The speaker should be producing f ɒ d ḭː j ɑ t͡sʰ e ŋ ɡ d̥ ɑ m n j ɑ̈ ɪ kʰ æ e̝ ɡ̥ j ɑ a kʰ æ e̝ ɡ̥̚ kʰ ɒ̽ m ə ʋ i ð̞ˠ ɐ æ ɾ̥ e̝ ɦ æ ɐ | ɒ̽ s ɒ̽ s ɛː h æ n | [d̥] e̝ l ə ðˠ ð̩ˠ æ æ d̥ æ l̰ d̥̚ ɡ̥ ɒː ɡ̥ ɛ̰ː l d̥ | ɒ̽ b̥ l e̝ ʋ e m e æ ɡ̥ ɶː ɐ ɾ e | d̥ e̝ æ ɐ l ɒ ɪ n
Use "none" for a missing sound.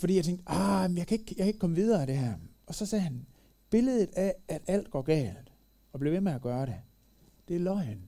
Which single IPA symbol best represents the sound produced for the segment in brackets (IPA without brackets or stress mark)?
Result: b̥